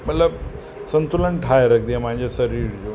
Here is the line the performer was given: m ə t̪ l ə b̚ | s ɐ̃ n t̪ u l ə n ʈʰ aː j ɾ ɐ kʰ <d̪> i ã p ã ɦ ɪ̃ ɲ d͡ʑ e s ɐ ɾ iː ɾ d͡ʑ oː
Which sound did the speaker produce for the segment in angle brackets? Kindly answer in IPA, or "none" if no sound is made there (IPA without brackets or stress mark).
d̪